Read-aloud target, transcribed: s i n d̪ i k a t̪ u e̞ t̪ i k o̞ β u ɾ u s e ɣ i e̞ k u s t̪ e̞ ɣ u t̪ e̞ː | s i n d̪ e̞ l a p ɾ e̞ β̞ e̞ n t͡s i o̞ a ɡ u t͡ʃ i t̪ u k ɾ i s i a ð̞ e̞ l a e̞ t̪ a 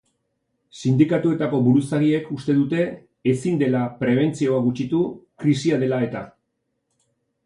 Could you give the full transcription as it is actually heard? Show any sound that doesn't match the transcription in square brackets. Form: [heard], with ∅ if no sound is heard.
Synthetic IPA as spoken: s i n d̪ i k a t̪ u e̞ t̪ [a] k o̞ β u ɾ u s [a] ɣ i e̞ k u s t̪ e̞ [ð] u t̪ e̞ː | s i n d̪ e̞ l a p ɾ e̞ β̞ e̞ n t͡s i o̞ a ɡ u t͡ʃ i t̪ u k ɾ i s i a ð̞ e̞ l a e̞ t̪ a